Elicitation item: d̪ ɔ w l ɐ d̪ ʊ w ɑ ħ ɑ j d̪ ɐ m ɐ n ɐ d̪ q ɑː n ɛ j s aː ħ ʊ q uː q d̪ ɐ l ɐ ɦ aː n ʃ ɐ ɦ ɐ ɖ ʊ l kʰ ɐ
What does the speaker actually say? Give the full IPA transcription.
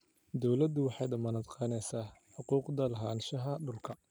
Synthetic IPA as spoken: d̪ ɔ w l ɐ d̪ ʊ w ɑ ħ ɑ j d̪ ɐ m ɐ n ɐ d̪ q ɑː n ɛ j s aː ħ ʊ q uː q d̪ ɐ l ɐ ɦ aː n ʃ ɐ ɦ ɐ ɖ ʊ l kʰ ɐ